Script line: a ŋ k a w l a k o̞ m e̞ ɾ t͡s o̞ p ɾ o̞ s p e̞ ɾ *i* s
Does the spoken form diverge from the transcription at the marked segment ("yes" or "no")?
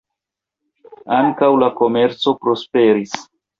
no